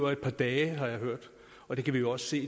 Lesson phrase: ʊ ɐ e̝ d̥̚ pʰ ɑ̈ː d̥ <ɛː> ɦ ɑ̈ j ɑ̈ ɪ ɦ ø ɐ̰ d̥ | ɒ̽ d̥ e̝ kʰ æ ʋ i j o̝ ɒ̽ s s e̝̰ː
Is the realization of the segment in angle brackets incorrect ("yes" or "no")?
no